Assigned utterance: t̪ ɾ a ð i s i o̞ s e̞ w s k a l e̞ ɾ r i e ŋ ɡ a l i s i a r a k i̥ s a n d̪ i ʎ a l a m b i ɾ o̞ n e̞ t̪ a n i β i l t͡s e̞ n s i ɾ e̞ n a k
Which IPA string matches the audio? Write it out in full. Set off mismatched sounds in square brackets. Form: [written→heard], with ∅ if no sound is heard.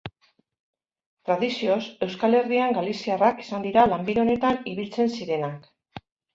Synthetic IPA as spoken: t̪ ɾ a ð i s i o̞ s e̞ w s k a l e̞ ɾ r i [e→a] ŋ ɡ a l i s i a r a k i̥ s a n d̪ i [ʎ→ɾ] a l a m b i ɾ o̞ n e̞ t̪ a n i β i l t͡s e̞ n s i ɾ e̞ n a k

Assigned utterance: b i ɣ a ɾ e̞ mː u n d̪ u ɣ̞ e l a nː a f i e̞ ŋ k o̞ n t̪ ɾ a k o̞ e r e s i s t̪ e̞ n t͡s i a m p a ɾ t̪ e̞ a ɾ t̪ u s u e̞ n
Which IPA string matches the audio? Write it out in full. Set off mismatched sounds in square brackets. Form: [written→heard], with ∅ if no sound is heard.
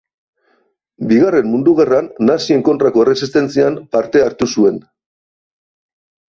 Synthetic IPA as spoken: b i ɣ a [ɾ→r] e̞ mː u n d̪ u ɣ̞ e [l→r] a nː a [f→s] i e̞ ŋ k o̞ n t̪ ɾ a k o̞ e r e s i s t̪ e̞ n t͡s i a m p a ɾ t̪ e̞ a ɾ t̪ u s u e̞ n

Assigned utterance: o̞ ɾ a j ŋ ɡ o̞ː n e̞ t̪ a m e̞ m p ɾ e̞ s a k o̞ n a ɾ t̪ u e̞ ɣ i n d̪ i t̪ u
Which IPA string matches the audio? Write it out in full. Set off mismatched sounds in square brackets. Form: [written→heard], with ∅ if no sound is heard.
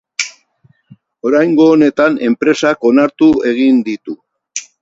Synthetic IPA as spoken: o̞ ɾ a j ŋ ɡ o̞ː n e̞ t̪ a [m→n] e̞ m p ɾ e̞ s a k o̞ n a ɾ t̪ u e̞ ɣ i n d̪ i t̪ u

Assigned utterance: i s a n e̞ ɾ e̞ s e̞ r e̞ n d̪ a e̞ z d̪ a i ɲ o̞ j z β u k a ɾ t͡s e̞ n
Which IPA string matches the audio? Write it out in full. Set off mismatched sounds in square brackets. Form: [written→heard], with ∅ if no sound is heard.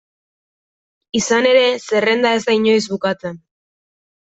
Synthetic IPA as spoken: i s a n e̞ ɾ e̞ s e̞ r e̞ n d̪ a e̞ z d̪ a i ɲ o̞ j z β u k a [ɾ→∅] t͡s e̞ n

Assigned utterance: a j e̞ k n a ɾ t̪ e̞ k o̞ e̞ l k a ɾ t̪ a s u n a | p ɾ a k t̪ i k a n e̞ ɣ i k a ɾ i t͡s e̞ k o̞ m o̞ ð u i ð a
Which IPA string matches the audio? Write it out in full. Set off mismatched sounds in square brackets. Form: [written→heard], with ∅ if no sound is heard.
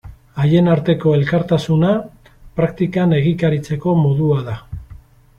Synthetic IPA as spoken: a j e̞ [k→∅] n a ɾ t̪ e̞ k o̞ e̞ l k a ɾ t̪ a s u n a | p ɾ a k t̪ i k a n e̞ ɣ i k a ɾ i t͡s e̞ k o̞ m o̞ ð u [i→a] ð a

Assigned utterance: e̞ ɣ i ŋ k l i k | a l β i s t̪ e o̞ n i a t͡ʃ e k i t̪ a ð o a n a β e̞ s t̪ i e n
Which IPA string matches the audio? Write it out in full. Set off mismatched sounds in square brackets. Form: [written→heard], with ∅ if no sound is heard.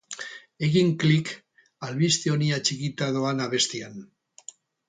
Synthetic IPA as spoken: e̞ ɣ i ŋ k l i k | a l β i s t̪ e o̞ n i a t͡ʃ [e→i] k i t̪ a ð o a n a β e̞ s t̪ i [e→a] n

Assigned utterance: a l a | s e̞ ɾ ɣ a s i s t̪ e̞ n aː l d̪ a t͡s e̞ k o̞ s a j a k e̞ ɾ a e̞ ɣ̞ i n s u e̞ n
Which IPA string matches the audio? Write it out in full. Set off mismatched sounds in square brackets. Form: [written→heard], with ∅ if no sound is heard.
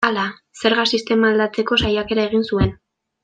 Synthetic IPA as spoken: a l a | s e̞ ɾ ɣ a s i s t̪ e̞ [n→m] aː l d̪ a t͡s e̞ k o̞ s a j a k e̞ ɾ a e̞ ɣ̞ i n s u e̞ n

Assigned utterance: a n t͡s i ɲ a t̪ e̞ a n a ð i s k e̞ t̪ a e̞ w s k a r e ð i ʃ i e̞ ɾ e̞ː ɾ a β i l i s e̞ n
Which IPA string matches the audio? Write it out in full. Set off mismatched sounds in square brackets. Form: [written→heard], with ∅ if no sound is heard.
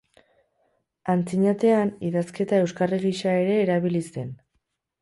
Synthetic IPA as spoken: a n t͡s i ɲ a t̪ e̞ a n [a→i] ð [i→a] s k e̞ t̪ a e̞ w s k a r e [ð→ɣ] i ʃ [i→a] e̞ ɾ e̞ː ɾ a β i l i s e̞ n

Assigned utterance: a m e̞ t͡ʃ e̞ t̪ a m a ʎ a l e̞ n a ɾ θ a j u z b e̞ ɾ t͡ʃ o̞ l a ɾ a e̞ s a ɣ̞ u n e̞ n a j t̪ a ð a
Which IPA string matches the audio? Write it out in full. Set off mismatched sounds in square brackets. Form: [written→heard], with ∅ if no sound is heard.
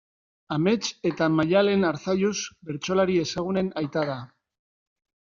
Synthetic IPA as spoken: a m e̞ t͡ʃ e̞ t̪ a m a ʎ a l e̞ n a ɾ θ a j u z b e̞ ɾ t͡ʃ o̞ l a ɾ [a→i] e̞ s a ɣ̞ u n e̞ n a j t̪ a ð a

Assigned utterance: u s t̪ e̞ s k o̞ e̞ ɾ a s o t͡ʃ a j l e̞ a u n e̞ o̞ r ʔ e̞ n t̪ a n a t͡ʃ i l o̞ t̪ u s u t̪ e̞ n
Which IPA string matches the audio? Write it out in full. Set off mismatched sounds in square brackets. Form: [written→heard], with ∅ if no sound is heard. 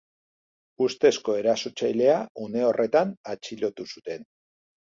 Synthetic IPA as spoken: u s t̪ e̞ s k o̞ e̞ ɾ a s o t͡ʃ a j l e̞ a u n e̞ o̞ r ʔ e̞ [n→∅] t̪ a n a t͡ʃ i l o̞ t̪ u s u t̪ e̞ n

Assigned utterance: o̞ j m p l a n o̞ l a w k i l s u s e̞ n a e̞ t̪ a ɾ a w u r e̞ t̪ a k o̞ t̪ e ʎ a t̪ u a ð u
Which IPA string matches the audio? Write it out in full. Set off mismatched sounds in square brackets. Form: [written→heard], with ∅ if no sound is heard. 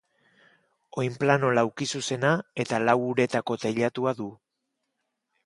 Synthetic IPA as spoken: o̞ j m p l a n o̞ l a w k i [l→∅] s u s e̞ n a e̞ t̪ a [ɾ→l] a w u [r→ɾ] e̞ t̪ a k o̞ t̪ e ʎ a t̪ u a ð u

